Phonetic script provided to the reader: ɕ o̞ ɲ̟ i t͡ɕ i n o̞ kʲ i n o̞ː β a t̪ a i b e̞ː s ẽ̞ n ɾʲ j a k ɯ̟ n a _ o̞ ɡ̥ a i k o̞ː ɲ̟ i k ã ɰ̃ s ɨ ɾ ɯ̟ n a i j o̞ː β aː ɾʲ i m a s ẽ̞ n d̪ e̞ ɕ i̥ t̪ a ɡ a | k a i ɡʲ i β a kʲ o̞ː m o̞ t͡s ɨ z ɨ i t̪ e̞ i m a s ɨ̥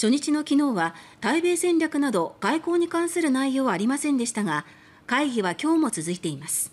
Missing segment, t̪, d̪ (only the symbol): d̪